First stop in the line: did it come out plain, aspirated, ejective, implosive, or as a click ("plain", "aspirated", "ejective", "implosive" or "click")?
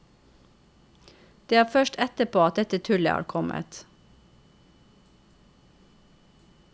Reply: plain